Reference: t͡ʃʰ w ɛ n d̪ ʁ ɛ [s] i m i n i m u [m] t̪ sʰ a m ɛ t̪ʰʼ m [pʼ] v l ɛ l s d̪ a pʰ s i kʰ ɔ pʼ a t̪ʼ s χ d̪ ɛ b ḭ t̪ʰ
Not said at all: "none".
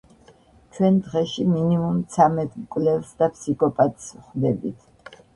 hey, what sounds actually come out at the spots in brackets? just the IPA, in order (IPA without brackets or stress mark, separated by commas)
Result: ʃ, m, kʼ